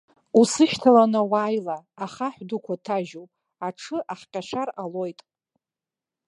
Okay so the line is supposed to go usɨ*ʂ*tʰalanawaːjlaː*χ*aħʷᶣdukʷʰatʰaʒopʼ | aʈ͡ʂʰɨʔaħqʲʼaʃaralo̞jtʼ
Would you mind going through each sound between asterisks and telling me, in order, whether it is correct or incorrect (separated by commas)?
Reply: incorrect, correct